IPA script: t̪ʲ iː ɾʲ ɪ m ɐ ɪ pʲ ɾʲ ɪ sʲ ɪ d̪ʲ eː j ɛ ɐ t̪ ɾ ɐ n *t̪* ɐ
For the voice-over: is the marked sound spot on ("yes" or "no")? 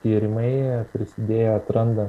no